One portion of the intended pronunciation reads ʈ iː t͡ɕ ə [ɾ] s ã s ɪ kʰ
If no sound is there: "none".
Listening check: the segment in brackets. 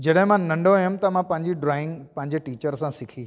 ɾ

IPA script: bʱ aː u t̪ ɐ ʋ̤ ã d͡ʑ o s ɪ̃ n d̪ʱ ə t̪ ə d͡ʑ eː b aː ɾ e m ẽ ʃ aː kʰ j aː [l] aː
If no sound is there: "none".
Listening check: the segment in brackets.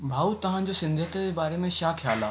l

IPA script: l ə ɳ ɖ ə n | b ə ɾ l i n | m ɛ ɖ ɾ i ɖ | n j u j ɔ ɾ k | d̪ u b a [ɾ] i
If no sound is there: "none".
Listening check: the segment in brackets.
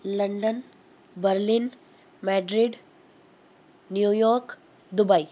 none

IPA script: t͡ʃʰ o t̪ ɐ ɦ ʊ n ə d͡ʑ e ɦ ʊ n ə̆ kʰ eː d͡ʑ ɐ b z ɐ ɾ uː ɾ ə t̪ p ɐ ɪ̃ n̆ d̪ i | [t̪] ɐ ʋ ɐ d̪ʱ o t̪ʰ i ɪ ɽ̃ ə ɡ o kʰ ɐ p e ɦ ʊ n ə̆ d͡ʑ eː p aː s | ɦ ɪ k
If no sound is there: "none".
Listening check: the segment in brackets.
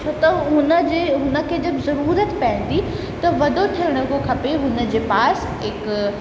t̪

